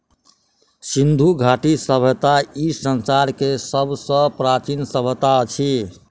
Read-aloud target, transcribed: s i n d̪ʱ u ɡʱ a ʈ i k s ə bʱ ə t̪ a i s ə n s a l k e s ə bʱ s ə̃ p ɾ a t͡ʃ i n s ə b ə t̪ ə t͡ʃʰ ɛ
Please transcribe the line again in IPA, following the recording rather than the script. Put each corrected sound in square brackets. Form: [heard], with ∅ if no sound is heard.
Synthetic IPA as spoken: s i n d̪ʱ u ɡʱ a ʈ i [∅] s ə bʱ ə t̪ a i s ə n s a [ɾ] k e s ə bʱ s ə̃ p ɾ a t͡ʃ i n s ə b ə t̪ [a] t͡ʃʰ [i]